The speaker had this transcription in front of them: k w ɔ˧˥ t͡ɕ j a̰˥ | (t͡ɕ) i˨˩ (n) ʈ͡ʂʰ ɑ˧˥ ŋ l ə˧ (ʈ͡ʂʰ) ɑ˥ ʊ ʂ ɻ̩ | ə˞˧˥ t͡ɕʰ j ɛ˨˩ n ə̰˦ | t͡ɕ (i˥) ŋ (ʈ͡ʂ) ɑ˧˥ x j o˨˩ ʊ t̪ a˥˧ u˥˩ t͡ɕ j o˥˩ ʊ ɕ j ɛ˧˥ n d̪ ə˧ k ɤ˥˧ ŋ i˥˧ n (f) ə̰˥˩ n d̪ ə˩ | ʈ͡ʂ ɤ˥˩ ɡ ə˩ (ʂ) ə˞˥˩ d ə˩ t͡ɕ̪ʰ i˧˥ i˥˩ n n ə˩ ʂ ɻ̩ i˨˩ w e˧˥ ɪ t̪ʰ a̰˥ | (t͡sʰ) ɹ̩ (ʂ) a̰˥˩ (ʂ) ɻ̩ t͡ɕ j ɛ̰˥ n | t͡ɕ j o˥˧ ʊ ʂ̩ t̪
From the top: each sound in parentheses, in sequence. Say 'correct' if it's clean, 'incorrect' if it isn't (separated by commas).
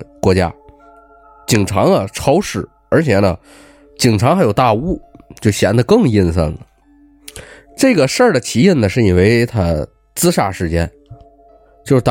correct, incorrect, correct, incorrect, incorrect, incorrect, correct, incorrect, correct, correct